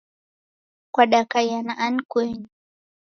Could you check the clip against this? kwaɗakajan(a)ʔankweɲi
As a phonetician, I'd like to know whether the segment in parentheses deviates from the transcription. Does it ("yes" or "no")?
no